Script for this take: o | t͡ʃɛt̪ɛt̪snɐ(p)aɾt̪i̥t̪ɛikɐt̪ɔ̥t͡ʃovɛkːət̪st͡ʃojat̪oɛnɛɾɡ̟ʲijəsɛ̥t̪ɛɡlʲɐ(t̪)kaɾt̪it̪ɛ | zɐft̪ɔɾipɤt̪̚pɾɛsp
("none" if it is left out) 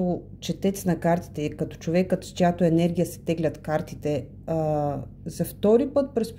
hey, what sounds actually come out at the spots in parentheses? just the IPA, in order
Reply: k, t̪

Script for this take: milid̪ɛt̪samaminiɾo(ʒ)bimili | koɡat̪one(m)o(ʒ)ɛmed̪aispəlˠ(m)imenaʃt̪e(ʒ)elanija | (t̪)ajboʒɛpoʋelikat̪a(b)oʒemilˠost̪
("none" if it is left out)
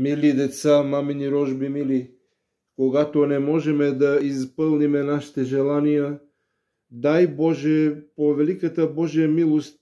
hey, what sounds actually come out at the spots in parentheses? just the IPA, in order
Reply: ʒ, m, ʒ, n, ʒ, d̪, b

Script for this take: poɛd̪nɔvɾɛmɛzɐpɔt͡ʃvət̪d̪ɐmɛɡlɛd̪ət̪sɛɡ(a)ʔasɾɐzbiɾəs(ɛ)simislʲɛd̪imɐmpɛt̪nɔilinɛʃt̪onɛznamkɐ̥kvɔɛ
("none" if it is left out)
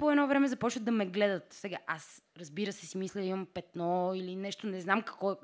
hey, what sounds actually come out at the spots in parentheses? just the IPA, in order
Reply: a, ɛ

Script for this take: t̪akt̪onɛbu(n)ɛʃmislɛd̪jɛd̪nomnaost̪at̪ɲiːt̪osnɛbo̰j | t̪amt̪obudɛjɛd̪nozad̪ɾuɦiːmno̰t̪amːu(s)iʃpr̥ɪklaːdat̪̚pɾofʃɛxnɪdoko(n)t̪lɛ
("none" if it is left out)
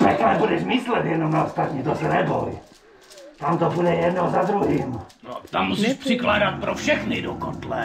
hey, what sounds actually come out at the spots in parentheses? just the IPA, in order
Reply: d, s, n

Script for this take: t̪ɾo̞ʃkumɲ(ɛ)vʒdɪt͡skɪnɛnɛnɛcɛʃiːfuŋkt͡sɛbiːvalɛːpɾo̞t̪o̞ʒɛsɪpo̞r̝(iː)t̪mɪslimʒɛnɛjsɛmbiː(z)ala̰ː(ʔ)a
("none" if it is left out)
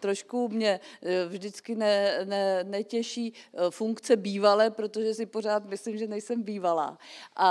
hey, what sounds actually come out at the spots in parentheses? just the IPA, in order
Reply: ɛ, aː, v, ʔ

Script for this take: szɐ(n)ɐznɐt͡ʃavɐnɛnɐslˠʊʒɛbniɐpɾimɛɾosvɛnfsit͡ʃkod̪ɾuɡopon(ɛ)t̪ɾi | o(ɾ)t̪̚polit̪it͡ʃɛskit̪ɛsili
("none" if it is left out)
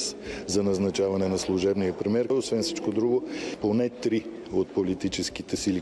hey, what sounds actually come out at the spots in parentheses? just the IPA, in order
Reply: n, ɛ, none

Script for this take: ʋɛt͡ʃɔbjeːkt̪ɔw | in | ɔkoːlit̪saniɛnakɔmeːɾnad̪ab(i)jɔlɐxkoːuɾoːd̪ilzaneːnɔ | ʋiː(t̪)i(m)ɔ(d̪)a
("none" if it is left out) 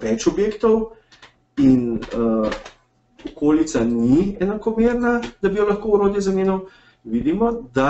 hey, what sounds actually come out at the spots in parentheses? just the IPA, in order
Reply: i, d̪, m, d̪

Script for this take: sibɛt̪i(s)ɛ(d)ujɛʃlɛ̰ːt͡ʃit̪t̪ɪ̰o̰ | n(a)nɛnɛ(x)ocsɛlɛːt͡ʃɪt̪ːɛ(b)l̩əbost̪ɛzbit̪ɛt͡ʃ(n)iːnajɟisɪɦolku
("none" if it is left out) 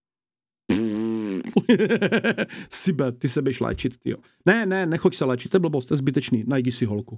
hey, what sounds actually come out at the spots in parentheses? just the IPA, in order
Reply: s, b, ɛ, x, b, n

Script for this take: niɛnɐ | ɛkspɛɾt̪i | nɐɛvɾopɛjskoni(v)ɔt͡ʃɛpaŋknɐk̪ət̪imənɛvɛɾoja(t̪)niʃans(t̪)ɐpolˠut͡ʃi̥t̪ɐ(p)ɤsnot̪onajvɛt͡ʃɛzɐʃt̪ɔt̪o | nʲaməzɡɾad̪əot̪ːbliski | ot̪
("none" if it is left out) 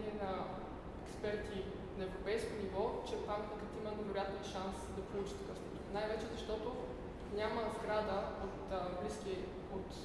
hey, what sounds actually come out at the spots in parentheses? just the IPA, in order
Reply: v, t̪, d̪, k

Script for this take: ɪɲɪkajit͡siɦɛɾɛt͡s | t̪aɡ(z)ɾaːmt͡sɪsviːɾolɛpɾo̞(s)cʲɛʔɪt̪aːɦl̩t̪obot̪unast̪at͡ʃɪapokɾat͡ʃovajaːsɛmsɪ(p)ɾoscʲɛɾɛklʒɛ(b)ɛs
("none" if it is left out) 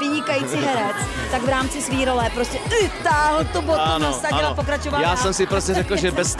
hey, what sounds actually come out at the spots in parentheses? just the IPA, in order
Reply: v, s, p, b

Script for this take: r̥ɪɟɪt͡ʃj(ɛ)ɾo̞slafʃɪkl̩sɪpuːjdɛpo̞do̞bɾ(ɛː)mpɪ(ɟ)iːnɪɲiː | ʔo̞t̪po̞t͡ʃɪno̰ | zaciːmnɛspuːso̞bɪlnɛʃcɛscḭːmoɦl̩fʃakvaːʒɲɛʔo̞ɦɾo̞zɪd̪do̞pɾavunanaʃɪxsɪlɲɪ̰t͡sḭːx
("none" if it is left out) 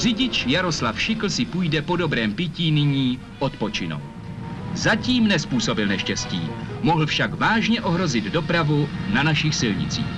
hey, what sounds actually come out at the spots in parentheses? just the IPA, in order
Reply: a, ɛː, c

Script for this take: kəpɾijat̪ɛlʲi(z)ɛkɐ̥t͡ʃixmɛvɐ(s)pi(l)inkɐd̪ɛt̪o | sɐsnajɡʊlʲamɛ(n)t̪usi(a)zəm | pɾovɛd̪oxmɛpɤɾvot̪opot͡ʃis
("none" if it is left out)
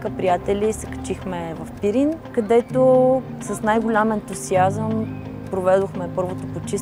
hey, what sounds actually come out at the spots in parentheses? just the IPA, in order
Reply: s, f, ɾ, n, a

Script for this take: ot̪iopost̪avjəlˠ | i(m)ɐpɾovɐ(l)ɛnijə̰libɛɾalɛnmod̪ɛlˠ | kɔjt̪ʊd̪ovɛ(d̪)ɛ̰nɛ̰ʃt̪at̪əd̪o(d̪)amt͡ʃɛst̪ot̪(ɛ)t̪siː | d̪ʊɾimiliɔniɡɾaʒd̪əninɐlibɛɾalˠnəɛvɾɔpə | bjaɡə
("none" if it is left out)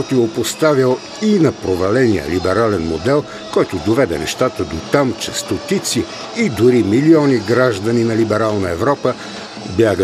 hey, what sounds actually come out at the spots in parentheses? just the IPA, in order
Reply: n, l, d̪, t̪, i

